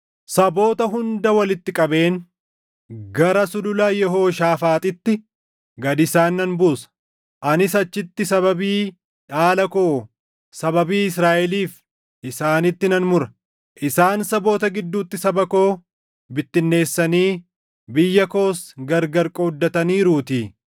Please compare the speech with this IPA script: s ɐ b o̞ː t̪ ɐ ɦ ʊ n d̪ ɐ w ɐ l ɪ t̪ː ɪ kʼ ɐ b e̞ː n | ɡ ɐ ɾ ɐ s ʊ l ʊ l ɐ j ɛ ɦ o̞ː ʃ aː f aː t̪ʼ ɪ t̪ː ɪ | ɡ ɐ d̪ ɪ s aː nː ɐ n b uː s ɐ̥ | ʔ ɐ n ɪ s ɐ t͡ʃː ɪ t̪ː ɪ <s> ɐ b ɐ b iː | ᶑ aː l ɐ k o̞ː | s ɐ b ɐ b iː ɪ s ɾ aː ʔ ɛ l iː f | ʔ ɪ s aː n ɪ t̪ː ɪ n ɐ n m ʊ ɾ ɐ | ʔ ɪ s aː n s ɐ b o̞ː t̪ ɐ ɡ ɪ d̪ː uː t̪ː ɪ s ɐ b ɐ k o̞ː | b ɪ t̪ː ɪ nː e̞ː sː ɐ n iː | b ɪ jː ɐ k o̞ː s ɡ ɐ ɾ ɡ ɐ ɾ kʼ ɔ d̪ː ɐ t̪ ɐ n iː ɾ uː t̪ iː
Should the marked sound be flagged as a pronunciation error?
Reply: no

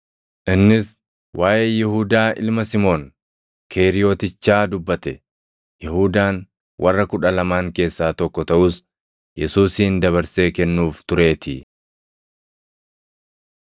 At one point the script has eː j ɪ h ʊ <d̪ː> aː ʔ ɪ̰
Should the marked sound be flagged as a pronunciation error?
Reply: yes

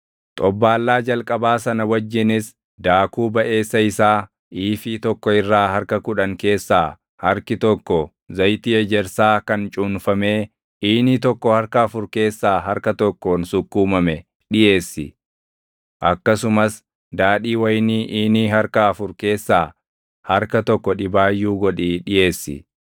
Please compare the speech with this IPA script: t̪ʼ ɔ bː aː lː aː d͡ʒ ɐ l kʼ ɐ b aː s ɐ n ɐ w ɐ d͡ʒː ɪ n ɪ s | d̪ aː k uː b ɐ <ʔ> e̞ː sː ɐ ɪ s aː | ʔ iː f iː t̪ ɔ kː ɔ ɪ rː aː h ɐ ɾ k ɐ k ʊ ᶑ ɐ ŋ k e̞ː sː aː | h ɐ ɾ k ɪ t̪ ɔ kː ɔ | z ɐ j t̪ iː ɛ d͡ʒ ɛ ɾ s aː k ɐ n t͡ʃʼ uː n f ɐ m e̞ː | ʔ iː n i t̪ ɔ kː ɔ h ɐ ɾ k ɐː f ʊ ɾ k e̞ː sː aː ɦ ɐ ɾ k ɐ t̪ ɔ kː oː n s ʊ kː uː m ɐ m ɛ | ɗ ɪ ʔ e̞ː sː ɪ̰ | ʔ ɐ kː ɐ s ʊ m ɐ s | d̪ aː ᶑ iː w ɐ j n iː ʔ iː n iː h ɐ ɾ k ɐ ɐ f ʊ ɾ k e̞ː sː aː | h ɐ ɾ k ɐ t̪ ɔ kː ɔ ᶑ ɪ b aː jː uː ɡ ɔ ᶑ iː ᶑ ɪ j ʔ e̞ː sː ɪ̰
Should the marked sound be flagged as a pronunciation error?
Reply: no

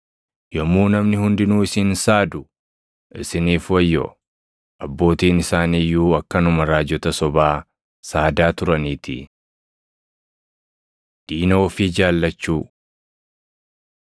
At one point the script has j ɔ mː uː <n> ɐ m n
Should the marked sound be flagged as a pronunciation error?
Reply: no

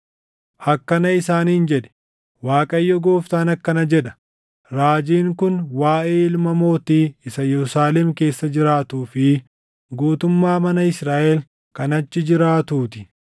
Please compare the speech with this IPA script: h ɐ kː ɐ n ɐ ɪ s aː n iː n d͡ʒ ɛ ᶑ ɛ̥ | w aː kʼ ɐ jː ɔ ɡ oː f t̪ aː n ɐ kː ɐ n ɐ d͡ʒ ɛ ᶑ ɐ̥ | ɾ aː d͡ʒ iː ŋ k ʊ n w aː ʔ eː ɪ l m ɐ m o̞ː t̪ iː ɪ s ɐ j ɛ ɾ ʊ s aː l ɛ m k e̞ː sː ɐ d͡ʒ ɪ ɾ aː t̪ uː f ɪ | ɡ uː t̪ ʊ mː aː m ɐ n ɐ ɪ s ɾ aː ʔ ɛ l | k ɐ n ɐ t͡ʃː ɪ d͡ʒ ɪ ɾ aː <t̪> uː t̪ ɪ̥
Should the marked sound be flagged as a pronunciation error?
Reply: no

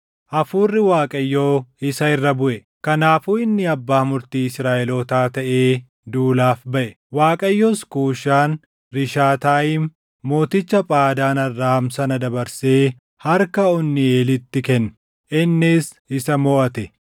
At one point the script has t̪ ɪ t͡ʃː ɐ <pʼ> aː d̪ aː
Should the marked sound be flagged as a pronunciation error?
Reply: no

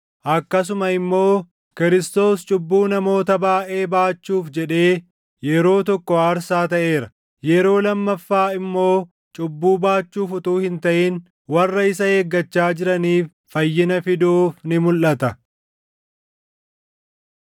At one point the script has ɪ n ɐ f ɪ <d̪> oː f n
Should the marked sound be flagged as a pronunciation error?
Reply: no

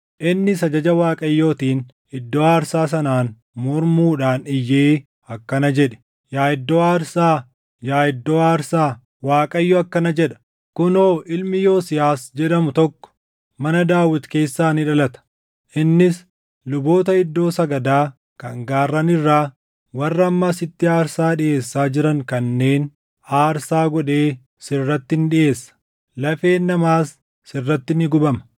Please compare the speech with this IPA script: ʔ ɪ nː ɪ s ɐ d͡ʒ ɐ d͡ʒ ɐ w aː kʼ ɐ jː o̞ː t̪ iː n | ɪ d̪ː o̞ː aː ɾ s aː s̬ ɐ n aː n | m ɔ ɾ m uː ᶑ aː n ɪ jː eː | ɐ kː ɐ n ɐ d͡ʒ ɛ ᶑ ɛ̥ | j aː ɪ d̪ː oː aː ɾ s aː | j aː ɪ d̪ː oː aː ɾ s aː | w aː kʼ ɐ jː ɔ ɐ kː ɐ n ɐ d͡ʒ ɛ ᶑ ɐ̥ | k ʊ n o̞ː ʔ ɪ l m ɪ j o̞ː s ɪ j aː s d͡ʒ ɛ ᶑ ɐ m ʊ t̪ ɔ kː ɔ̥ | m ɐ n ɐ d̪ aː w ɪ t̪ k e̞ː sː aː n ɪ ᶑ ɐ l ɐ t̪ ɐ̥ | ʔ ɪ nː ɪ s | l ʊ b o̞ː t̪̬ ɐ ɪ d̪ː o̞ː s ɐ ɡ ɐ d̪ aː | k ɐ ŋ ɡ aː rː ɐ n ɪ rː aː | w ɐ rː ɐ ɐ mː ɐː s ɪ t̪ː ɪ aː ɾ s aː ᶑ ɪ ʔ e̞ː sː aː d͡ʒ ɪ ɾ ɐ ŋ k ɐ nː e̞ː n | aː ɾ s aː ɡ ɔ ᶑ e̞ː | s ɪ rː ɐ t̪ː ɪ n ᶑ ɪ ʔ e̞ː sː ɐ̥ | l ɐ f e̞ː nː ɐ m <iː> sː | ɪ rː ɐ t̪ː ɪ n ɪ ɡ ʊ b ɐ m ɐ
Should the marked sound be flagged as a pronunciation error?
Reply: yes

